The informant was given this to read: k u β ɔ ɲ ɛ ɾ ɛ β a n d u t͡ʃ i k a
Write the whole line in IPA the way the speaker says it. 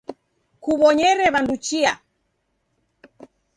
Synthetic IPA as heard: k u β ɔ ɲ ɛ ɾ ɛ β a n d u t͡ʃ i a

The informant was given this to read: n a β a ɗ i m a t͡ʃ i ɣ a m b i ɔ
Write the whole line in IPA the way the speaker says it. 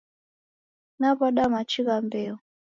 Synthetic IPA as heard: n a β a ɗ a m a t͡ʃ i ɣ a m b ɛ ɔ

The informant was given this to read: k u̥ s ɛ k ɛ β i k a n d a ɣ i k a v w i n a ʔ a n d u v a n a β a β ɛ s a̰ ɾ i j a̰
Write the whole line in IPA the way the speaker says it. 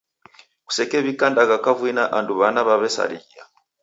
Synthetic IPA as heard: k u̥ s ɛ k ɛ β i k a n d a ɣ a k a v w i n a ʔ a n d u β a n a β a β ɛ s a̰ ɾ i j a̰

